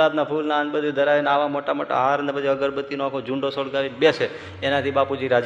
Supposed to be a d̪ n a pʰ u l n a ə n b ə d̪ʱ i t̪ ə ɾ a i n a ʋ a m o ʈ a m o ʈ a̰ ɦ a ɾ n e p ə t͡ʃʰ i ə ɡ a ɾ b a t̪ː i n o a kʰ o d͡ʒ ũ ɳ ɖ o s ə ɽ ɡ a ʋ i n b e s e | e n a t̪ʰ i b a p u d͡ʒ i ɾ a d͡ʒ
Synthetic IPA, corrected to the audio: a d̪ n a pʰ u l n a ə n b ə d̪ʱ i d̪ ə ɾ a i n a ʋ a m o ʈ a m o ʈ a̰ ɦ a ɾ n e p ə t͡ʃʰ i ə ɡ ə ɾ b ə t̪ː i n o a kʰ o d͡ʒ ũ ɳ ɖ o s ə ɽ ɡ a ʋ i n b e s e | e n a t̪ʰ i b a p u d͡ʒ i ɾ a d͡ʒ